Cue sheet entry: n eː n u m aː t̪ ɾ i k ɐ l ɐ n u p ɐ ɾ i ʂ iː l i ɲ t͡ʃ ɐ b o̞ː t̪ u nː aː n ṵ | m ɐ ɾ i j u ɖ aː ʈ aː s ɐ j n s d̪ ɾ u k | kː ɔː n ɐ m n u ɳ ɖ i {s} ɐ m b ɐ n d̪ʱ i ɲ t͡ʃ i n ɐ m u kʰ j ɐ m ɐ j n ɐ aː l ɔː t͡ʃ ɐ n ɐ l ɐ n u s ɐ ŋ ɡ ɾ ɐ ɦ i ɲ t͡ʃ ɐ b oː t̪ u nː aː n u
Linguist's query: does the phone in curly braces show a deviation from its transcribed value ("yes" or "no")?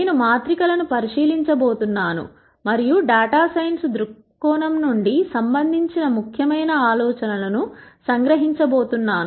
no